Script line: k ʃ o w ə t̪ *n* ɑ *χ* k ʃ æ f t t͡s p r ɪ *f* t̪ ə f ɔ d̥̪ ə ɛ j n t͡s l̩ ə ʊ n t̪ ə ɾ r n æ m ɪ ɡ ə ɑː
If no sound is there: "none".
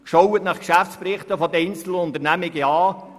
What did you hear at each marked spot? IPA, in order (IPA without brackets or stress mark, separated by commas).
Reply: n, χ, χ